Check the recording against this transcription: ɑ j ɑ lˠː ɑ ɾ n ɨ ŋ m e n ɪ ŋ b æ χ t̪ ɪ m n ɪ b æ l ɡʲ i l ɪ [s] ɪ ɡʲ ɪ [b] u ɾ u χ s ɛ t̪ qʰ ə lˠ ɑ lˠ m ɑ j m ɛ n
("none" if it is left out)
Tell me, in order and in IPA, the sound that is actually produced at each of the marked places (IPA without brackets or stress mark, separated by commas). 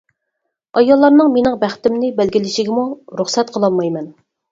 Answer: ʃ, m